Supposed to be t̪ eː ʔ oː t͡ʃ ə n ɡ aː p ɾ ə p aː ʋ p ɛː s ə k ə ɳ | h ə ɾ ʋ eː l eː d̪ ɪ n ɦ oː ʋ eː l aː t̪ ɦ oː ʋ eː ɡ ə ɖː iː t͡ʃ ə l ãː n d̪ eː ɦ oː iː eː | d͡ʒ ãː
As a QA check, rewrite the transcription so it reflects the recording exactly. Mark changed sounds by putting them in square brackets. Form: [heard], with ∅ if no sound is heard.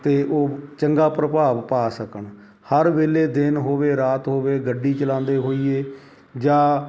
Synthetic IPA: t̪ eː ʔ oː t͡ʃ ə [ŋ] ɡ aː p ɾ ə p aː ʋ p [aː] s ə k ə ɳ | h ə ɾ ʋ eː l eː d̪ ɪ n ɦ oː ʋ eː [ɾ] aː t̪ ɦ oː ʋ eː ɡ ə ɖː iː t͡ʃ ə l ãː n d̪ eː ɦ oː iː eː | d͡ʒ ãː

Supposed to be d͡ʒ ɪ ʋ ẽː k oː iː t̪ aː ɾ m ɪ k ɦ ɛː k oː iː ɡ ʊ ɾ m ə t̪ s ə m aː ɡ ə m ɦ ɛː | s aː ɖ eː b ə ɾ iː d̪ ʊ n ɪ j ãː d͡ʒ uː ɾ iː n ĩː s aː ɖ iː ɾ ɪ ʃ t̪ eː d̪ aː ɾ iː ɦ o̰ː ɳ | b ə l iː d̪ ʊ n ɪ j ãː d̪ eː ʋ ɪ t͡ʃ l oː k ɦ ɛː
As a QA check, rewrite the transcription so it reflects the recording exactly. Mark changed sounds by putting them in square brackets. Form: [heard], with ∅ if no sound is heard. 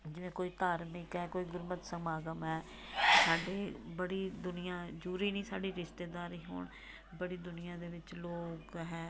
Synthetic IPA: d͡ʒ ɪ ʋ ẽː k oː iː t̪ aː ɾ m ɪ k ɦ ɛː k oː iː ɡ ʊ ɾ m ə t̪ s ə m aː ɡ ə m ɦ ɛː | s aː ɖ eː b ə [ɽ] iː d̪ ʊ n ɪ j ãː d͡ʒ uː ɾ iː n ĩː s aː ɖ iː ɾ ɪ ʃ t̪ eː d̪ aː ɾ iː ɦ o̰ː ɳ | b ə [ɽ] iː d̪ ʊ n ɪ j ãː d̪ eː ʋ ɪ t͡ʃ l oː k ɦ ɛː

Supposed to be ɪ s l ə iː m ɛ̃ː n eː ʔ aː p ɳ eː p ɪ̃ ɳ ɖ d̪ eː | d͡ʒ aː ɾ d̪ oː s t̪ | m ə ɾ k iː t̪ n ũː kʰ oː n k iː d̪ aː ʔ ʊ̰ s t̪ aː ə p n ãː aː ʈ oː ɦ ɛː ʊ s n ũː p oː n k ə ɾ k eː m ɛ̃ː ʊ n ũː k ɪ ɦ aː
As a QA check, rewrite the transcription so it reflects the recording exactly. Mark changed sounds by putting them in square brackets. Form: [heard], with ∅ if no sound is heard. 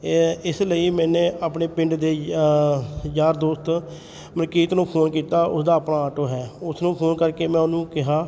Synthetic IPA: ɪ s l ə iː m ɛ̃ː n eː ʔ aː p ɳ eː p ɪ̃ ɳ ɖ d̪ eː | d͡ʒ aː ɾ d̪ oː s t̪ | m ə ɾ k iː t̪ n ũː [pʰ] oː n k iː [t̪] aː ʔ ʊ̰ s [d̪] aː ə p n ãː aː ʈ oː ɦ ɛː ʊ s n ũː [pʰ] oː n k ə ɾ k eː m ɛ̃ː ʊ n ũː k ɪ ɦ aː

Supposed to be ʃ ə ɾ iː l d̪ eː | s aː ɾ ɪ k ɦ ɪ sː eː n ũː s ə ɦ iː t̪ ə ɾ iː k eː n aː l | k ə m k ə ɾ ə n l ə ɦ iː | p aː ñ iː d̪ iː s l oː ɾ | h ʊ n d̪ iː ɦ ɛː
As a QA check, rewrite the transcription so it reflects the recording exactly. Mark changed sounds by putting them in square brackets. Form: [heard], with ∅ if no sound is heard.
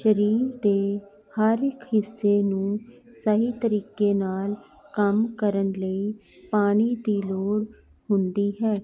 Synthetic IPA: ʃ ə ɾ iː [ɾ] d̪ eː | [h] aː ɾ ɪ k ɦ ɪ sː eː n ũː s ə ɦ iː t̪ ə ɾ iː k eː n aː l | k ə m k ə ɾ ə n l ə [∅] iː | p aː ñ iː d̪ iː [∅] l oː [ɽ] | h ʊ n d̪ iː ɦ ɛː

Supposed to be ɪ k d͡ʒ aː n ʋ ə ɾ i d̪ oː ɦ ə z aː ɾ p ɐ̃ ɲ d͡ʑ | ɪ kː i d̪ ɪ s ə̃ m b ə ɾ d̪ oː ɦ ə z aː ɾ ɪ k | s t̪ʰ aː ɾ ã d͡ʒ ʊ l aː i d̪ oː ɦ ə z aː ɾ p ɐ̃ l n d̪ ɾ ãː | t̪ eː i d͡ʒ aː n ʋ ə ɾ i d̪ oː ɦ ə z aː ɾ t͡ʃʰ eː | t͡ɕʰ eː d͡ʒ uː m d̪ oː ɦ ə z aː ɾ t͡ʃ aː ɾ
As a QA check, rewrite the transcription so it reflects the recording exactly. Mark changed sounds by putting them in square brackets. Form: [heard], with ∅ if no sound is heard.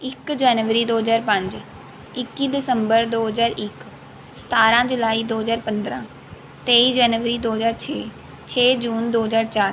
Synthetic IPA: ɪ k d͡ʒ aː n ʋ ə ɾ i d̪ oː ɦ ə z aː ɾ p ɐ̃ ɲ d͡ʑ | ɪ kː i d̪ ɪ s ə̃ m b ə ɾ d̪ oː ɦ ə z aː ɾ ɪ k | s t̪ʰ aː ɾ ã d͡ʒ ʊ l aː i d̪ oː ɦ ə z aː ɾ p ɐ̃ [∅] n d̪ ɾ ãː | t̪ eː i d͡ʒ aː n ʋ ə ɾ i d̪ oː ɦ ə z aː ɾ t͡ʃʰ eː | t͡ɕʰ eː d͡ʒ uː [n] d̪ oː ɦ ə z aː ɾ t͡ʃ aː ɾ

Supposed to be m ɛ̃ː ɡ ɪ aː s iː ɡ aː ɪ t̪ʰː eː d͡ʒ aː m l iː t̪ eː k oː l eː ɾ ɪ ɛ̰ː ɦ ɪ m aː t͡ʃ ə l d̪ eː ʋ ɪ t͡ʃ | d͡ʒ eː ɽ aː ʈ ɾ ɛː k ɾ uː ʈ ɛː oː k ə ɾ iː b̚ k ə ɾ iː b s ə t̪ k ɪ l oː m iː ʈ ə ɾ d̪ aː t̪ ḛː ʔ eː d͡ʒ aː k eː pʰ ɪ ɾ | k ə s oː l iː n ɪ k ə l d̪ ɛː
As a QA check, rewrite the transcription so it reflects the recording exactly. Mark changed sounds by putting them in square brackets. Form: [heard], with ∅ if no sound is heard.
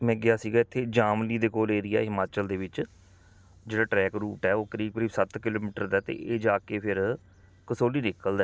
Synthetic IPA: m ɛ̃ː ɡ ɪ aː s iː ɡ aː ɪ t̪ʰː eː d͡ʒ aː m l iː [d̪] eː k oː l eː ɾ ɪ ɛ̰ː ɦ ɪ m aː t͡ʃ ə l d̪ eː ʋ ɪ t͡ʃ | d͡ʒ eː ɽ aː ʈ ɾ ɛː k ɾ uː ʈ ɛː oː k ə ɾ iː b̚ k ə ɾ iː b s ə t̪ k ɪ l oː m iː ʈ ə ɾ d̪ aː t̪ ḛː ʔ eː d͡ʒ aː k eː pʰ ɪ ɾ | k ə s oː l iː n ɪ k ə l d̪ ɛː

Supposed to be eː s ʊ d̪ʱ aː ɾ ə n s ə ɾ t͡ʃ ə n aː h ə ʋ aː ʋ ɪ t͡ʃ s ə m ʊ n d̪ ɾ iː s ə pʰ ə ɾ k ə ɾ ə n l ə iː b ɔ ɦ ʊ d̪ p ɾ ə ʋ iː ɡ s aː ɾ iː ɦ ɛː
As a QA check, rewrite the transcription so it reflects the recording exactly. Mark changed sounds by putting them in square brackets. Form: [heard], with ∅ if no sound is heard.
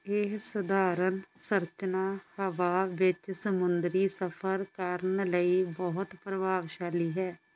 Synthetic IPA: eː s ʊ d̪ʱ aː ɾ ə n s ə ɾ t͡ʃ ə n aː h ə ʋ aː ʋ ɪ t͡ʃ s ə m ʊ n d̪ ɾ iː s ə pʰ ə ɾ k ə ɾ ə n l ə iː b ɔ ɦ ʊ [t̪] p ɾ ə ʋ [aː] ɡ [ʃ] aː [l] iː ɦ ɛː

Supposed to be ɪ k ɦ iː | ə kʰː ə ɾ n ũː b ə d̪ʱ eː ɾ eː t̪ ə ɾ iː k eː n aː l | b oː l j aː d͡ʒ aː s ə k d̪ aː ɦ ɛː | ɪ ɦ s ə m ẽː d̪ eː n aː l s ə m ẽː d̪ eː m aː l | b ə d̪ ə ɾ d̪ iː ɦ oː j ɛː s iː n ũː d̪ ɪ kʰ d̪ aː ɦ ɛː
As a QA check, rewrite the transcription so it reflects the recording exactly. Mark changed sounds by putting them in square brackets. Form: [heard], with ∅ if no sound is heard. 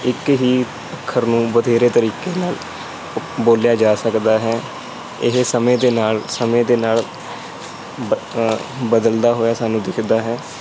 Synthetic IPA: ɪ k ɦ iː | ə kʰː ə ɾ n ũː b ə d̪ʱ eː ɾ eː t̪ ə ɾ iː k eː n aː l | b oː l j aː d͡ʒ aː s ə k d̪ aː ɦ ɛː | ɪ ɦ s ə m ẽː d̪ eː n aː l s ə m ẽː d̪ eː [n] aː l | b ə d̪ ə [l] d̪ [aː] ɦ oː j [aː] s [aː] n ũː d̪ ɪ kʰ d̪ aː ɦ ɛː

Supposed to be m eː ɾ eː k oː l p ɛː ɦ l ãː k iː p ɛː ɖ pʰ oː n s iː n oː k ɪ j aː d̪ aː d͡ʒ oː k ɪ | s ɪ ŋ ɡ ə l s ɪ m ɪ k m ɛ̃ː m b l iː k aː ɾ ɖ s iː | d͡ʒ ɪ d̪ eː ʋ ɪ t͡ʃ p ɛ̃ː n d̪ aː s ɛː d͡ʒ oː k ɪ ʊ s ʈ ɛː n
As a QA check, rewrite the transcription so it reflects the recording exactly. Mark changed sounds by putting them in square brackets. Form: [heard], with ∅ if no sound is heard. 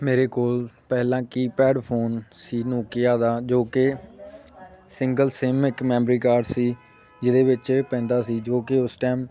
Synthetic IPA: m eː ɾ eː k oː l p ɛː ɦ l ãː k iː p ɛː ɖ pʰ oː n s iː n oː k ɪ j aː d̪ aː d͡ʒ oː k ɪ | s ɪ ŋ ɡ ə l s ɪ m ɪ k m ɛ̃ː m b [ɾ] iː k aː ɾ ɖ s iː | d͡ʒ ɪ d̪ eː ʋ ɪ t͡ʃ p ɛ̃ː n d̪ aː s [iː] d͡ʒ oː k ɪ ʊ s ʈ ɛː [m]

